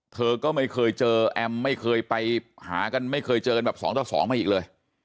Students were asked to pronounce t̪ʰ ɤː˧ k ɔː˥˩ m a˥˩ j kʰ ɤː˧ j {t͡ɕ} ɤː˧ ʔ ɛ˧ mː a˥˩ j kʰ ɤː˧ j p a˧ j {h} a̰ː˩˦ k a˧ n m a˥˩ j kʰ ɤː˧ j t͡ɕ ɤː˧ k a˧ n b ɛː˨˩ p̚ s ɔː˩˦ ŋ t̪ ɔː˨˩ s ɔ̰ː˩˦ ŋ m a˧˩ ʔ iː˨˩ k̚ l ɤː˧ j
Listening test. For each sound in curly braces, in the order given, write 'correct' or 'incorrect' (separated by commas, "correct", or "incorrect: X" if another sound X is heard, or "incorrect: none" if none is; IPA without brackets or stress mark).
correct, correct